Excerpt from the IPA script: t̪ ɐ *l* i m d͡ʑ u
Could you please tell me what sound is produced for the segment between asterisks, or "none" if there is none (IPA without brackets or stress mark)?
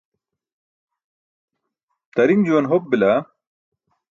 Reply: ɾ